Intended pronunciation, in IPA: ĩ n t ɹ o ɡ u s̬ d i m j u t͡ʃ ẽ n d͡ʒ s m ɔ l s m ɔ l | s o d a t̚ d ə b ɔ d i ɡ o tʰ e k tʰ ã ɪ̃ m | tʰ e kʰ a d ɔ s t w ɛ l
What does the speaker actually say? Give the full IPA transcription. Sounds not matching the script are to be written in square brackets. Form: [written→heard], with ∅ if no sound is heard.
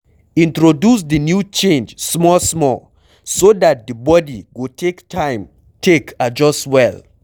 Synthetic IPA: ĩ n t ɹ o [ɡ→d] u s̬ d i [m→n] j u t͡ʃ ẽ n d͡ʒ s m ɔ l s m ɔ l | s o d a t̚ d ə b ɔ d i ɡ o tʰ e k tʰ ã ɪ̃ m | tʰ e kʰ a [d→d͡ʒ] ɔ s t w ɛ l